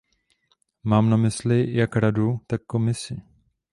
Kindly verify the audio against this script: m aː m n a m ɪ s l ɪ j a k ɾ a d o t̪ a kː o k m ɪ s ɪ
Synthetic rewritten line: m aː m n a m ɪ s l ɪ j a k ɾ a d u t̪ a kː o m ɪ s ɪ